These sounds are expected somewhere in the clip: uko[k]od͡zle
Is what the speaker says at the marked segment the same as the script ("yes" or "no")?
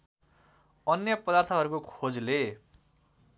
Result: no